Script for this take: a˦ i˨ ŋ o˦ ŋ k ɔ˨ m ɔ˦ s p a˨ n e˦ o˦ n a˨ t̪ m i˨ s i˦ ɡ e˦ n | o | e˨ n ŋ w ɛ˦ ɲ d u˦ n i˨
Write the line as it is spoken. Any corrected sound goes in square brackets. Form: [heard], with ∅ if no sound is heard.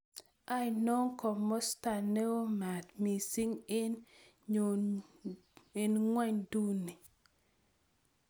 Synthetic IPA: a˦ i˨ [n] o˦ ŋ k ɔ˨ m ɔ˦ s [t] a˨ n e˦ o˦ [m] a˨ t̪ m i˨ s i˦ [ŋ] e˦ n | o | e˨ n ŋ w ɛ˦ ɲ d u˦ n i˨

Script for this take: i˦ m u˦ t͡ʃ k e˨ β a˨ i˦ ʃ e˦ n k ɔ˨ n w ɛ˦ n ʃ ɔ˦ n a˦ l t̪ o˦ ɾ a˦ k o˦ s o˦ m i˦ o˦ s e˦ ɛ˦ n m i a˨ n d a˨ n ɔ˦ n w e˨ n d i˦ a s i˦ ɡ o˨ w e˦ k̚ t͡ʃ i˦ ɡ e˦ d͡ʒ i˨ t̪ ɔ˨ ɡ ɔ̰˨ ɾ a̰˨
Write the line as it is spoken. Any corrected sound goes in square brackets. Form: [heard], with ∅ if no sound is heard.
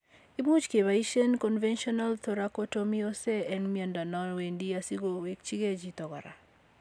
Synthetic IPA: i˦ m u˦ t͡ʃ k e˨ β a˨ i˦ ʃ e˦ n k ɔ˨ n [v] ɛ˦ n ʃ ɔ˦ n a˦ l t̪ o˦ ɾ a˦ k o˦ [t] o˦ m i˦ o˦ s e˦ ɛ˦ n m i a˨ n d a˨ n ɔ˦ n w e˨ n d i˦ a s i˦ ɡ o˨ w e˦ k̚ t͡ʃ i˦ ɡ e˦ d͡ʒ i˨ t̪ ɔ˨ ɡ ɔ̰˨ ɾ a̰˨

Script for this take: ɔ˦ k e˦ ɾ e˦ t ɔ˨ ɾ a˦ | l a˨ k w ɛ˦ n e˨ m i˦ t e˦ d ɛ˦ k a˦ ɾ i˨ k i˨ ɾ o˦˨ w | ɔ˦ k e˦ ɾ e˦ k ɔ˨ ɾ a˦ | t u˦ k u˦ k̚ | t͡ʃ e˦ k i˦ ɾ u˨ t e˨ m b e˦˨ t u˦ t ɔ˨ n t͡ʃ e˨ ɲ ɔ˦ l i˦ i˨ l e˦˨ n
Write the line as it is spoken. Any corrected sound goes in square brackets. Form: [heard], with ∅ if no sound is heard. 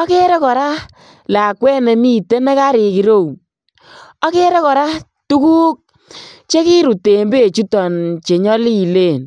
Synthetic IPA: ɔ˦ k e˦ ɾ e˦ [k] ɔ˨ ɾ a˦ | l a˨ k w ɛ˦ n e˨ m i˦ t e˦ [n] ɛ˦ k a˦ ɾ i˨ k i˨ ɾ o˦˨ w | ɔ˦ k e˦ ɾ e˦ k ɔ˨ ɾ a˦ | t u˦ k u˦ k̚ | t͡ʃ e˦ k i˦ ɾ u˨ t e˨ m b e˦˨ [t͡ʃ] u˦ t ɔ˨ n t͡ʃ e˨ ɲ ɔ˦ l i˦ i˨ l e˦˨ n

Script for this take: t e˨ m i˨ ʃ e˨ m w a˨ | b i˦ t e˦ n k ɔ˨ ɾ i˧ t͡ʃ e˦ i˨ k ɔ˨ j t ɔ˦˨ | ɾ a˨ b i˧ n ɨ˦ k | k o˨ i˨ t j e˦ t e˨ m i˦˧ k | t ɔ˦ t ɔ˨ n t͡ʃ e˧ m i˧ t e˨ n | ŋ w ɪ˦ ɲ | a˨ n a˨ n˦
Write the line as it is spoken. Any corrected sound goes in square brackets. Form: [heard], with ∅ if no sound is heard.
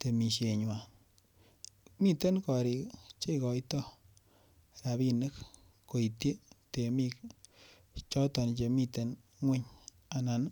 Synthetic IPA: t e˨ m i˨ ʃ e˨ [ɲ] w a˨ | [m] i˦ t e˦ n k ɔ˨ ɾ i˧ t͡ʃ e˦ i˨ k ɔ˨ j t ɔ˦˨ | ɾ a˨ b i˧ n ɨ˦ k | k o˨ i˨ t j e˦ t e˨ m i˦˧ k | [t͡ʃ] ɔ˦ t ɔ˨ n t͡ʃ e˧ m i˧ t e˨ n | ŋ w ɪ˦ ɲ | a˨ n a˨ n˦

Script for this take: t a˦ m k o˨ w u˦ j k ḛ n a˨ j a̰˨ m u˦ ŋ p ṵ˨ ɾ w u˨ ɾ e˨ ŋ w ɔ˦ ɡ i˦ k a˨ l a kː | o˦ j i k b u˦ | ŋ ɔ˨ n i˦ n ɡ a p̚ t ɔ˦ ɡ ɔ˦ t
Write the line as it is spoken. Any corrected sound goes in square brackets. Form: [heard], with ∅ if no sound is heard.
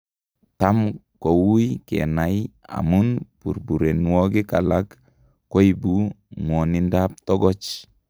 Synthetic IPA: t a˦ m k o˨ w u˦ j k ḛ n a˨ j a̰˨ m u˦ [n] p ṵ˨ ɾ [b] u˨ ɾ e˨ [n] w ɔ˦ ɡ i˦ k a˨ l a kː | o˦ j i [∅] b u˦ | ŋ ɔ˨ n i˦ n [d] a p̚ t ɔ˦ ɡ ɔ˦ [t͡ʃ]

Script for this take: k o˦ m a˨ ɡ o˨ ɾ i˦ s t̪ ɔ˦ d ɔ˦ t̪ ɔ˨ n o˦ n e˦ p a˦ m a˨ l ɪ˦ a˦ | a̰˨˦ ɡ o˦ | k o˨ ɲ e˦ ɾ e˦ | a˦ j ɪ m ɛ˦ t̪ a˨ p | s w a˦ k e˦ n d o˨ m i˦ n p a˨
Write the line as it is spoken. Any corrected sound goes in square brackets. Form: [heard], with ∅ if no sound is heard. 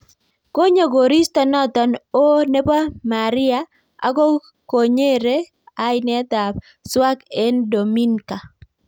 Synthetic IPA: k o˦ [ɲ] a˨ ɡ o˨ ɾ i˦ s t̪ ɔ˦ [n] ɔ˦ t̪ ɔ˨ n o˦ n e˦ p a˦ m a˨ [ɾ] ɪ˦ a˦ | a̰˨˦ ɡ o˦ | k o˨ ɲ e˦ ɾ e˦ | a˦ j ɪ [n] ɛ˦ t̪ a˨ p | s w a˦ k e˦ n d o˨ m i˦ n [k] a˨

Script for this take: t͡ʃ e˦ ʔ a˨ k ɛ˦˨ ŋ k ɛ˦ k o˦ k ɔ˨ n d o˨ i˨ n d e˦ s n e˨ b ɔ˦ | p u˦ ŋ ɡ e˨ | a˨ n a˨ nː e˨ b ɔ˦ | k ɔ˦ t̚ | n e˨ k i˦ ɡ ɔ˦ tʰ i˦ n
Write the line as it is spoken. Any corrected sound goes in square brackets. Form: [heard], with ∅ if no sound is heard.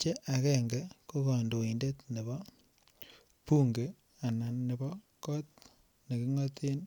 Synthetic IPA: t͡ʃ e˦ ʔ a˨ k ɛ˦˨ ŋ [ɡ] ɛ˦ k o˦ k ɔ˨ n d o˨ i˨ n d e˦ [t] n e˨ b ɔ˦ | p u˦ ŋ ɡ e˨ | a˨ n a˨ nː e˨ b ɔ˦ | k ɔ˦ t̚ | n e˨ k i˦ [ŋ] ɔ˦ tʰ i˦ n

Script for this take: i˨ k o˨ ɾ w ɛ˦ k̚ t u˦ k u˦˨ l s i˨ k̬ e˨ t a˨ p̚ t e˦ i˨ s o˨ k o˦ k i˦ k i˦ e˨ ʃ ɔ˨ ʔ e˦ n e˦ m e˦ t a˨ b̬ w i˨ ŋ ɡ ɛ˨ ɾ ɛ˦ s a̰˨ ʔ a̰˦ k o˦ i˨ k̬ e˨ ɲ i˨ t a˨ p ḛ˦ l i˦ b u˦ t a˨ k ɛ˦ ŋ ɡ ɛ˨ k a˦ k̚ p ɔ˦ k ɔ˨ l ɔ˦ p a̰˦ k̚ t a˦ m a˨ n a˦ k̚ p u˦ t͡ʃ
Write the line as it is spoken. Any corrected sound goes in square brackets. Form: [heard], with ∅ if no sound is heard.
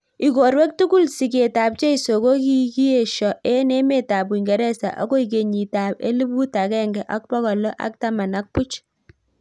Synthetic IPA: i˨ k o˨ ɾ w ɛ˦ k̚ t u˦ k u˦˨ l s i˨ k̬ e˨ t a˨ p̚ [t͡ʃ] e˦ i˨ s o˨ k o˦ k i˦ k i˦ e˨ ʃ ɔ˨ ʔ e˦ n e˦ m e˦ t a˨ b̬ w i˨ ŋ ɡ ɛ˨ ɾ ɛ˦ s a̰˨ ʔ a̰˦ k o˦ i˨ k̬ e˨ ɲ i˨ t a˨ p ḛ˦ l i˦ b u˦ t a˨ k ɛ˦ ŋ ɡ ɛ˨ [ʔ] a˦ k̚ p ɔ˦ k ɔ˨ l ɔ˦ [ʔ] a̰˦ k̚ t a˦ m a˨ n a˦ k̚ p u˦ t͡ʃ

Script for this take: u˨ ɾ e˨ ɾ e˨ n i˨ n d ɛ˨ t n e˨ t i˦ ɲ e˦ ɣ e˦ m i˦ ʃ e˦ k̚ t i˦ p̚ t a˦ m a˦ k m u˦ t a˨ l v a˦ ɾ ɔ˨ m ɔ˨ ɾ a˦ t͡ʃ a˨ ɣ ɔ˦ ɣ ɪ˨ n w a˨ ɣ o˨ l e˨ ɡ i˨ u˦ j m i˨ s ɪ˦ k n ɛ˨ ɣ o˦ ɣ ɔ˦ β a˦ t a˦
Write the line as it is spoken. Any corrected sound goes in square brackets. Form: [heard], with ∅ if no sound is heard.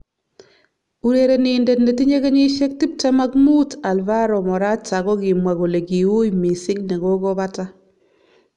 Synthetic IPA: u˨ ɾ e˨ ɾ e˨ n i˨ n d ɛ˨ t n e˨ t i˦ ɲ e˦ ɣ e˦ [ɲ] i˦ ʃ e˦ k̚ t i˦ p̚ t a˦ m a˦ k m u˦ t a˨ l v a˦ ɾ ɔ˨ m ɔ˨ ɾ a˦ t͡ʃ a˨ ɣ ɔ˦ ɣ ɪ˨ [m] w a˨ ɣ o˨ l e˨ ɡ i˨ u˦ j m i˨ s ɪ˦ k n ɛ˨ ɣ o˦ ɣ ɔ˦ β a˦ t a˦

